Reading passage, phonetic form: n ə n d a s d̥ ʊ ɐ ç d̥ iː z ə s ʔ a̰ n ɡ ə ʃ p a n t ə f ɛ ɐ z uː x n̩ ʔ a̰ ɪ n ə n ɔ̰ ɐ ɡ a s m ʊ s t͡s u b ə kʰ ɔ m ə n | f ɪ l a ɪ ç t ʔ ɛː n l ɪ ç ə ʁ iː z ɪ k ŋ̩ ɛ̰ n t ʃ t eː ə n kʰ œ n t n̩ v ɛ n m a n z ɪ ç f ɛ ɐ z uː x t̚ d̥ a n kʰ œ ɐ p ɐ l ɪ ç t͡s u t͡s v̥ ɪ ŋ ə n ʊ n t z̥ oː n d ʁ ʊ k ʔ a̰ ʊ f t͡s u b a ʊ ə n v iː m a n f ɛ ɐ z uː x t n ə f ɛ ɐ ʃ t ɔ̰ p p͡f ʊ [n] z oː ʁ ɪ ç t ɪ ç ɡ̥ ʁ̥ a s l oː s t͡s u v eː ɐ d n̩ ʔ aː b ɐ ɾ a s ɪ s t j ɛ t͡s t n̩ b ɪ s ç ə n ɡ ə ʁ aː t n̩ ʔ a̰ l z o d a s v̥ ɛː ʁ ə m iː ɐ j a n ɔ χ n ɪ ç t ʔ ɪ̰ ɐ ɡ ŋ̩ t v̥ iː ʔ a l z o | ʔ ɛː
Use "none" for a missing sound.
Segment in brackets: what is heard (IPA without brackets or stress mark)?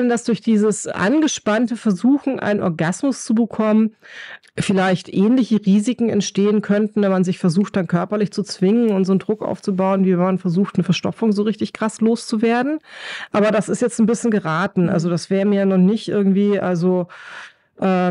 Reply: ŋ